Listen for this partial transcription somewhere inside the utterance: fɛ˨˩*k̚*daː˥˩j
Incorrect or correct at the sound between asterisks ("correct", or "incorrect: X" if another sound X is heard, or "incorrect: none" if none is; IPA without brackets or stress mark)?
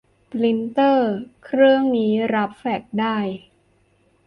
correct